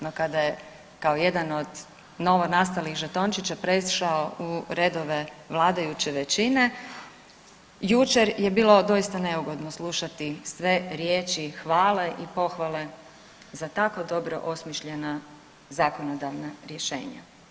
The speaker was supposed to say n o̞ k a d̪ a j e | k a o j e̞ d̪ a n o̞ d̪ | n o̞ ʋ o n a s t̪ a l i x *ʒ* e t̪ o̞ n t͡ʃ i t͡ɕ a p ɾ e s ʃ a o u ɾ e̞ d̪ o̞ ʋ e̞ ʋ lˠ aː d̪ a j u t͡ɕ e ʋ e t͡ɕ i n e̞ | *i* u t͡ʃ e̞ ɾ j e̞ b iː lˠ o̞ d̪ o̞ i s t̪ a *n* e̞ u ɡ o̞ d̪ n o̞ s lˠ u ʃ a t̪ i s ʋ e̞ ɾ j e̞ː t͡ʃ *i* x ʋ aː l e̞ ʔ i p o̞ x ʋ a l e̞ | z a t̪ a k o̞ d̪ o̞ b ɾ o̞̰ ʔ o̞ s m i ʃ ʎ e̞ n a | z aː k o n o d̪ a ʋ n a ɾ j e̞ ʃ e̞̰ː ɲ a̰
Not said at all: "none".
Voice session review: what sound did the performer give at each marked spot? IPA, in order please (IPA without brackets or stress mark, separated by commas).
ʒ, j, n, i